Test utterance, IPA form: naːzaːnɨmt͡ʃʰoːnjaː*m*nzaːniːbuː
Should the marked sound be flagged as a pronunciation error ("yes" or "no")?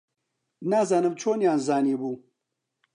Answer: yes